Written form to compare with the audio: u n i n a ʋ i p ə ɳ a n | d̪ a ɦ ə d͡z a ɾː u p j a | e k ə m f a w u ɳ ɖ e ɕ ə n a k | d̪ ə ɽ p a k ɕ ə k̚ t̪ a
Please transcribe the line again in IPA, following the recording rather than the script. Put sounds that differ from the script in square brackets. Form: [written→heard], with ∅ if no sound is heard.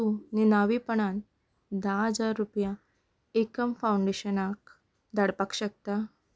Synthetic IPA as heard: u n i n a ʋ i p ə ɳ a n | d̪ a ɦ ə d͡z a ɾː u p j a | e k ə m f a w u ɳ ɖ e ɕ ə n a k | d̪ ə ɽ p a k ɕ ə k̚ t̪ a